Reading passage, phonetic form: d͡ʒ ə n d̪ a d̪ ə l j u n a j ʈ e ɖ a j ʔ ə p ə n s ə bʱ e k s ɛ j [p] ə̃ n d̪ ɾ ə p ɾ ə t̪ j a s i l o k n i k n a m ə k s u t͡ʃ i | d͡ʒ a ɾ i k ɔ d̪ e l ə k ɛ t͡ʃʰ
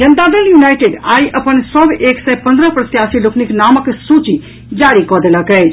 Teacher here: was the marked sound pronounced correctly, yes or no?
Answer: yes